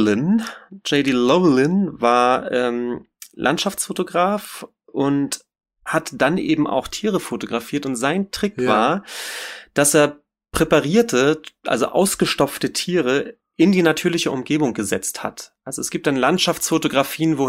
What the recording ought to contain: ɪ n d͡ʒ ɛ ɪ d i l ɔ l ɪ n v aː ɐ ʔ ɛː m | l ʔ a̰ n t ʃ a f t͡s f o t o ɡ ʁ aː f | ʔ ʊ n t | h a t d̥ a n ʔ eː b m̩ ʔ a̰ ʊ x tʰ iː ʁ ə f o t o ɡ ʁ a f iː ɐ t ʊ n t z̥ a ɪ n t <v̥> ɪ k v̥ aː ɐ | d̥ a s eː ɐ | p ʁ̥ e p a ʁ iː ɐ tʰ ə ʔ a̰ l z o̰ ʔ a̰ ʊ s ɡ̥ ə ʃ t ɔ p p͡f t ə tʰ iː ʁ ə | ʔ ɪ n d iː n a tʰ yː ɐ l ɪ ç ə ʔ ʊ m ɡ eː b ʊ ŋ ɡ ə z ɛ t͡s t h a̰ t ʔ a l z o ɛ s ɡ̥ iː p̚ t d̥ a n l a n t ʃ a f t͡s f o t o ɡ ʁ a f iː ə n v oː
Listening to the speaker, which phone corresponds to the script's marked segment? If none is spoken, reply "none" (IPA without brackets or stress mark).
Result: ʁ̥